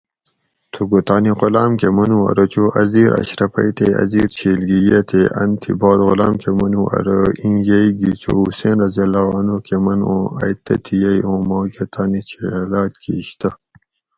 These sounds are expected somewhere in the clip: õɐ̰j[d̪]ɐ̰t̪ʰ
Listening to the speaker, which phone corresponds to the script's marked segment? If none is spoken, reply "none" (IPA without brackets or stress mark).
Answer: t̪